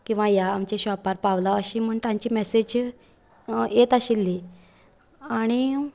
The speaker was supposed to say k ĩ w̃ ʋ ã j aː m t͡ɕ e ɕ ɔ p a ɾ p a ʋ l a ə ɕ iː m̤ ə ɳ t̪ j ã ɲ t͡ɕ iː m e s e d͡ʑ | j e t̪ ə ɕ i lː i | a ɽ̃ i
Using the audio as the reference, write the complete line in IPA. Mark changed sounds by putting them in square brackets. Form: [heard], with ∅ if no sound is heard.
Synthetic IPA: k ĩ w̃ ʋ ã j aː m t͡ɕ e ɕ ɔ p a ɾ p a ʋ l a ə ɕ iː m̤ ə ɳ t̪ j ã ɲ t͡ɕ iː m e s e d͡ʑ | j e t̪ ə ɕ i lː i | a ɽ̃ i